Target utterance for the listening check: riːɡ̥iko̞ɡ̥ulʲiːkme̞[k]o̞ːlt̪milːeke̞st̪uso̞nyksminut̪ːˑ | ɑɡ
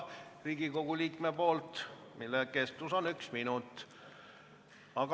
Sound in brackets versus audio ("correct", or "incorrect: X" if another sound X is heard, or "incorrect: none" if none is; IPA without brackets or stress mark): incorrect: p